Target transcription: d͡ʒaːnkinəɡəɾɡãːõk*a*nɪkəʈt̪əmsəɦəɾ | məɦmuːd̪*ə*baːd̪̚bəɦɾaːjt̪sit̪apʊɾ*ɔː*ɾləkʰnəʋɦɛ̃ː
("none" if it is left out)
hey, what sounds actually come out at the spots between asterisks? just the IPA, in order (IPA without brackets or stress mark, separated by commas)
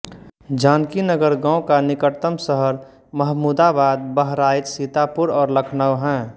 a, a, ɔː